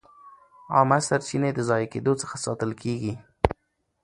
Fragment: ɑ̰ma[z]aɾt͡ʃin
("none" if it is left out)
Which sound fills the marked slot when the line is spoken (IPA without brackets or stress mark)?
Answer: s